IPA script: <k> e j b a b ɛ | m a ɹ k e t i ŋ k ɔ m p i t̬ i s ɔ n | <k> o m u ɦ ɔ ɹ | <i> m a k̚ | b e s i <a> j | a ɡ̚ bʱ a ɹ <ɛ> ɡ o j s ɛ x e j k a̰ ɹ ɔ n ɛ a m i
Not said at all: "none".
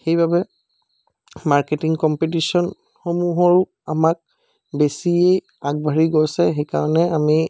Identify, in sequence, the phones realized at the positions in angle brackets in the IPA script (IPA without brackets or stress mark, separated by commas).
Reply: x, x, a, e, i